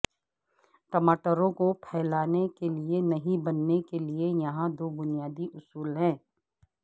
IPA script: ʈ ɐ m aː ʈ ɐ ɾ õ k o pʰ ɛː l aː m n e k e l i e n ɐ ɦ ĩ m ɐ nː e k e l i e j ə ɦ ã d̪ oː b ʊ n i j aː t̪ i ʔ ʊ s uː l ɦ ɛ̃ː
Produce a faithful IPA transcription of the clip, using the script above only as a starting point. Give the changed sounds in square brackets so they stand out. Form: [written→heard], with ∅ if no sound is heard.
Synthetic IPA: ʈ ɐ m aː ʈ [ɐ→ə] ɾ õ k o pʰ ɛː l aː [m→∅] n e k e l i e n ɐ ɦ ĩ [m→b] ɐ nː e k e l i e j [ə→ɐ] ɦ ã d̪ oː b ʊ n i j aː [t̪→d̪] i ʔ ʊ s uː l ɦ ɛ̃ː